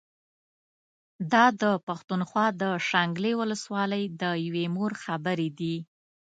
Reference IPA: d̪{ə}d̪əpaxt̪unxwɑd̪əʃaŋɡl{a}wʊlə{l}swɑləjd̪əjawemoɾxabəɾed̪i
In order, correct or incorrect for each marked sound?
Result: incorrect: ɑ, incorrect: e, incorrect: none

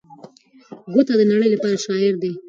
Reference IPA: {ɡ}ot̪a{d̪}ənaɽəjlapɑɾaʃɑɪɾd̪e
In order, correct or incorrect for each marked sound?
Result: correct, correct

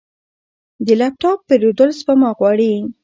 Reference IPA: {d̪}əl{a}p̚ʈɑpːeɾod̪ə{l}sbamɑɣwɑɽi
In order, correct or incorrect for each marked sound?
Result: correct, correct, correct

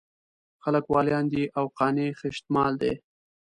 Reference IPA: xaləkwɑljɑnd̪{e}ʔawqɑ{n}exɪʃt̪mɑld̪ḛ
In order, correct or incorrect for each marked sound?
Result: incorrect: i, correct

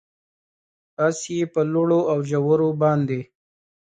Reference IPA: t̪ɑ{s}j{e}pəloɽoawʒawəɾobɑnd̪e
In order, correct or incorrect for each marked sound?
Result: correct, correct

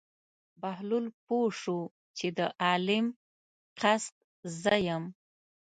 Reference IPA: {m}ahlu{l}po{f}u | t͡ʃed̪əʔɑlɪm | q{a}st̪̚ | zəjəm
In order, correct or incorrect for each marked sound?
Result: incorrect: b, correct, incorrect: ʂ, correct

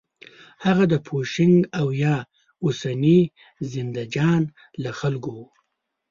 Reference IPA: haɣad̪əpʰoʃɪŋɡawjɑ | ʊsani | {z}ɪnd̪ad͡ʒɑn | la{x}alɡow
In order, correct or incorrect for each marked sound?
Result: correct, correct

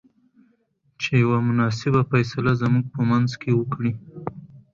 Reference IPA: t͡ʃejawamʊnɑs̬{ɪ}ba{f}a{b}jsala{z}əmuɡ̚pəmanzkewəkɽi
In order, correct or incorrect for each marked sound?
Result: correct, correct, incorrect: none, correct

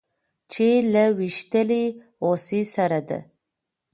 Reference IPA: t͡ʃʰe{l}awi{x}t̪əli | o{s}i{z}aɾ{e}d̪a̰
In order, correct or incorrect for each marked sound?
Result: correct, incorrect: ʃ, correct, incorrect: s, incorrect: a

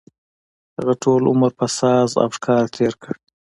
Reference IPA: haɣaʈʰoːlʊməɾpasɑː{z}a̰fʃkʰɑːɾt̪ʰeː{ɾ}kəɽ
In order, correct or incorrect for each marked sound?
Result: correct, correct

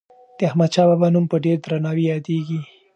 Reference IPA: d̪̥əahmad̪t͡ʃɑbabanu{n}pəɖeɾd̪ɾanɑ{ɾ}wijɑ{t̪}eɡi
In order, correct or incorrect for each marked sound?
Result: incorrect: m, incorrect: none, incorrect: d̪

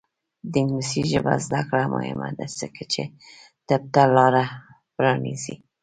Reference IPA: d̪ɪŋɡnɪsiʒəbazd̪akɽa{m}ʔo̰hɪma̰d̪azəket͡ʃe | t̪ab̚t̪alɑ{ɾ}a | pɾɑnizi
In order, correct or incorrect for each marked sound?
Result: correct, correct

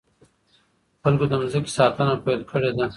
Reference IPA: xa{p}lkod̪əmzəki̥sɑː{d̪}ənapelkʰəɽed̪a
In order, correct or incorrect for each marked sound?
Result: incorrect: none, incorrect: t̪

